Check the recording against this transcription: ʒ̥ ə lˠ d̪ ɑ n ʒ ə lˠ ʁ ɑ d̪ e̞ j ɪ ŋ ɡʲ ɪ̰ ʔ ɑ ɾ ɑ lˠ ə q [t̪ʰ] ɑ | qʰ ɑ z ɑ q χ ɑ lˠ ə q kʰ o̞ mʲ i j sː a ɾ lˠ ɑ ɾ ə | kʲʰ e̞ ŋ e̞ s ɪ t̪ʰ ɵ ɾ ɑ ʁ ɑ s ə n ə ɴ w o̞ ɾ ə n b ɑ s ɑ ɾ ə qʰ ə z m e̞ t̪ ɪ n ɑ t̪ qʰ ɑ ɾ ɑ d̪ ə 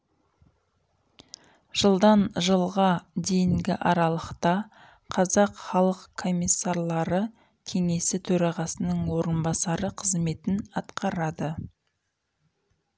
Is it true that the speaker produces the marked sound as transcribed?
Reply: no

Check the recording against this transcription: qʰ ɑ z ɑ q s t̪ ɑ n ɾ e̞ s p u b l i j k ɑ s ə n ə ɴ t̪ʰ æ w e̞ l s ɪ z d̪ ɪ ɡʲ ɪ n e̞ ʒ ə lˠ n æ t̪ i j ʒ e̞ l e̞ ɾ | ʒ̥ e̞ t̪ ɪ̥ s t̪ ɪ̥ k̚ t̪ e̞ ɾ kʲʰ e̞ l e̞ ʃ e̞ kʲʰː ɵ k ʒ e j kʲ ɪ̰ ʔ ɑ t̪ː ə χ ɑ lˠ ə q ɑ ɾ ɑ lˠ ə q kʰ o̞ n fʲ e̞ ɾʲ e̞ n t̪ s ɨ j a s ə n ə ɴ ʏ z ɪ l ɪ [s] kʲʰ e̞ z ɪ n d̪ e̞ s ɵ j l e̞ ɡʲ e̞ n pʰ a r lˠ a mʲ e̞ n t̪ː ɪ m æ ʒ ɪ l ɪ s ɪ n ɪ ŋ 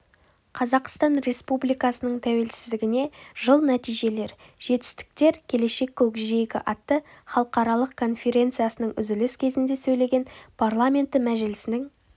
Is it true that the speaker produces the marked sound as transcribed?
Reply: yes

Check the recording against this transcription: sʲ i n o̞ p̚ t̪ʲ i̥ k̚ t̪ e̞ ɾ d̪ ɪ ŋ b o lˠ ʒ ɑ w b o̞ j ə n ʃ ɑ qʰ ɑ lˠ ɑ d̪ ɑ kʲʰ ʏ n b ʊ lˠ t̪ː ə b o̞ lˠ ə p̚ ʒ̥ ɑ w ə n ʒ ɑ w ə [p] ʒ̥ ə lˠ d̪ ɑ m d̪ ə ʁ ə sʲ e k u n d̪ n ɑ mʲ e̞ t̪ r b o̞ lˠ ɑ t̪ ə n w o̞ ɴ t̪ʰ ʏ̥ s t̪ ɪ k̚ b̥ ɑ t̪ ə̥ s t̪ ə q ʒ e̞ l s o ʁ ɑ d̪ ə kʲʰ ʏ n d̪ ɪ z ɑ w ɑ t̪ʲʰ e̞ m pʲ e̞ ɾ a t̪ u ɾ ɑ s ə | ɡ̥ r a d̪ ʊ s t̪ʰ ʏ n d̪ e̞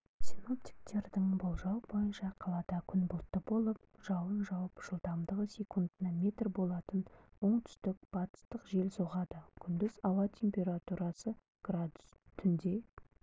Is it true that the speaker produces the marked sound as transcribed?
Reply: yes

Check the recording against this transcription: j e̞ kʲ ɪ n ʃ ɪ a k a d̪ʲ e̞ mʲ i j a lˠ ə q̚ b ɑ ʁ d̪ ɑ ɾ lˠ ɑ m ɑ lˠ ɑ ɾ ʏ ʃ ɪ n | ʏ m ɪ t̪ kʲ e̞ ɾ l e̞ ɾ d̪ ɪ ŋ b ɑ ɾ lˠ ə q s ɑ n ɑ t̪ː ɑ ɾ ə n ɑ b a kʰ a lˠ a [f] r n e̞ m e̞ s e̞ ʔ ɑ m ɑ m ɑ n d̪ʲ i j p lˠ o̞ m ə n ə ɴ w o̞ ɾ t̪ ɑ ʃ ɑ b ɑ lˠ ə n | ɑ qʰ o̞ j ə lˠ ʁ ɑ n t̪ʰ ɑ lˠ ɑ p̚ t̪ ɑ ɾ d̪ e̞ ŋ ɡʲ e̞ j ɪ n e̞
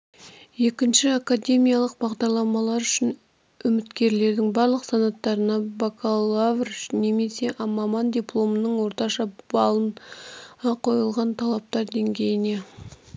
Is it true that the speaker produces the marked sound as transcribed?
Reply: no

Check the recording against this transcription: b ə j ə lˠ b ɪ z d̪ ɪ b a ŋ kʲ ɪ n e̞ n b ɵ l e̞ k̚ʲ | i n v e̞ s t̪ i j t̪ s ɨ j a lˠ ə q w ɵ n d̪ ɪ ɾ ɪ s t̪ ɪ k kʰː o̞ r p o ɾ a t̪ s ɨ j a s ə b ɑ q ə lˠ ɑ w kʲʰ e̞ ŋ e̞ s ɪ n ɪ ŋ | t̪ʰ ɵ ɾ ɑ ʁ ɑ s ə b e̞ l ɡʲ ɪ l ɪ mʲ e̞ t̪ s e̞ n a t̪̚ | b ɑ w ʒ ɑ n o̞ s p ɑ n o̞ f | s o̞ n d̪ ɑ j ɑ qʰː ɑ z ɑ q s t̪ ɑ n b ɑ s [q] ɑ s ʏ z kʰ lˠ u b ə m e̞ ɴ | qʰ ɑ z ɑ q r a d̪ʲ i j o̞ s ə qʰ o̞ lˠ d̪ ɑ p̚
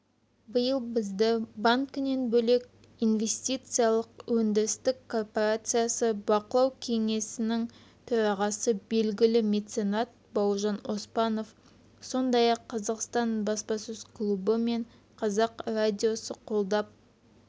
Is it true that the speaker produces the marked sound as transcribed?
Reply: no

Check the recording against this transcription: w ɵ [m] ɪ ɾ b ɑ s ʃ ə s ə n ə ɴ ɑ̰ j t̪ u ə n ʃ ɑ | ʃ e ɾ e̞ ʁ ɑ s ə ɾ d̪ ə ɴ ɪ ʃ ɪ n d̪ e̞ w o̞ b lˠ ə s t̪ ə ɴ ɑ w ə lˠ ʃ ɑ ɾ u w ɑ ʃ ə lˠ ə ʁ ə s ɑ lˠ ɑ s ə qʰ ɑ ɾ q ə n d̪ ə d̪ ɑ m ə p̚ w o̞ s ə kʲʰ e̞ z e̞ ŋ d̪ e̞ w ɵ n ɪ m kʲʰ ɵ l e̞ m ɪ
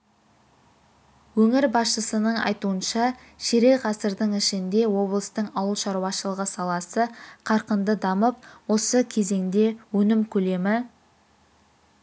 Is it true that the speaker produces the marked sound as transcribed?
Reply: no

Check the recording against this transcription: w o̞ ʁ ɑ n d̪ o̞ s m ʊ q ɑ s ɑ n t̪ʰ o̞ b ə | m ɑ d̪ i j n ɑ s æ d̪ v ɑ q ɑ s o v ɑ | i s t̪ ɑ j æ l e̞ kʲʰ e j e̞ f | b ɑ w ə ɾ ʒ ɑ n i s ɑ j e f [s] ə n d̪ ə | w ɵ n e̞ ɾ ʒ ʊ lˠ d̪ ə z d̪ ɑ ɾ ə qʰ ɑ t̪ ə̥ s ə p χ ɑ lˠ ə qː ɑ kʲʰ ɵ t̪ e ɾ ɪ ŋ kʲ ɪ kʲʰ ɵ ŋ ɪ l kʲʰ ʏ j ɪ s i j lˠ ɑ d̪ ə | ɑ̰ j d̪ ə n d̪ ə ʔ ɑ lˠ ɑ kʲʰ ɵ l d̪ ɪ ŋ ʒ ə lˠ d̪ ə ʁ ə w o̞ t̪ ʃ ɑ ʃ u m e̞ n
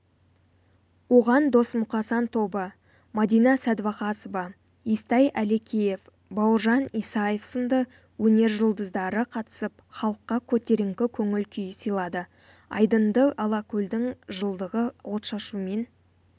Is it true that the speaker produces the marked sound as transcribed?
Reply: yes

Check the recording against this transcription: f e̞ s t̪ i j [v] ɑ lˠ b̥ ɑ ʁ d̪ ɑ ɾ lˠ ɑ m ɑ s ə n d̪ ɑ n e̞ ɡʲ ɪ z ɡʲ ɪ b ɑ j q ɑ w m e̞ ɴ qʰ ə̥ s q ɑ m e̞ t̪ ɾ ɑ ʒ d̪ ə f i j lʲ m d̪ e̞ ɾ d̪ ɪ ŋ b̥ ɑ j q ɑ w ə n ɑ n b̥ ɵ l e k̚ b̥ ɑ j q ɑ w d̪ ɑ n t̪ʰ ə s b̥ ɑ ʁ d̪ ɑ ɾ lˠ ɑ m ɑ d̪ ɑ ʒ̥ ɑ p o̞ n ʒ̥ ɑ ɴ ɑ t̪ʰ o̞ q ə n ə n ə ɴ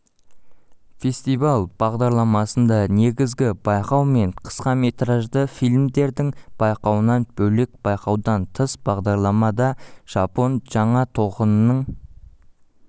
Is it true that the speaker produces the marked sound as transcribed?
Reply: yes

